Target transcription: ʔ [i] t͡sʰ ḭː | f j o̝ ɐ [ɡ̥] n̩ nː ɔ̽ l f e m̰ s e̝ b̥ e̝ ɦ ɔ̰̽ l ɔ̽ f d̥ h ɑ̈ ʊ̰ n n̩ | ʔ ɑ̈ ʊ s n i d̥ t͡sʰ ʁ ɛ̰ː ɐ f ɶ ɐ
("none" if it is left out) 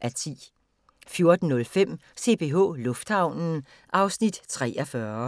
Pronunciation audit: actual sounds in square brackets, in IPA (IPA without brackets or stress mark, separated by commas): æ, d̥